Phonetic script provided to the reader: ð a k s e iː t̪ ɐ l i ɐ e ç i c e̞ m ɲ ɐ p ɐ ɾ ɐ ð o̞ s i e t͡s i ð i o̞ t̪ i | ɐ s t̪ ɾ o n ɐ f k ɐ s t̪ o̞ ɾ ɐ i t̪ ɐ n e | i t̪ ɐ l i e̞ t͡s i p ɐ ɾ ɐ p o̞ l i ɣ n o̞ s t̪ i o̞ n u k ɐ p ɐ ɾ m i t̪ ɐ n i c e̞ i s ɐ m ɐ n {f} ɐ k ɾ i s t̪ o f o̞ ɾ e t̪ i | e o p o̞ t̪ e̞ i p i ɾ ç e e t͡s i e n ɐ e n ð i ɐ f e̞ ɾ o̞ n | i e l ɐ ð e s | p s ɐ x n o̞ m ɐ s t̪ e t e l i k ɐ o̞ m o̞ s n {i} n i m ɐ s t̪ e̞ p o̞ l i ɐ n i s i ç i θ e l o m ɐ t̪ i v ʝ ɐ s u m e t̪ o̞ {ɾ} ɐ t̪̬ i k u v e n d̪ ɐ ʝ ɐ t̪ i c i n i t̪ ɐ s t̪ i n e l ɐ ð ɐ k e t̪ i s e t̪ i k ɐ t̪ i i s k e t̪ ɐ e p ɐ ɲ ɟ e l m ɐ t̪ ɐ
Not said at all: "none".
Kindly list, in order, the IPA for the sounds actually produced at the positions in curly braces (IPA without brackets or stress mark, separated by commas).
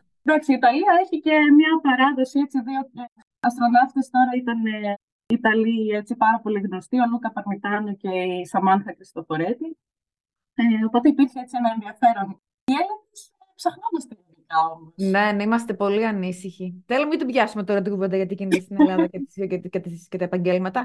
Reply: x, e, ɾ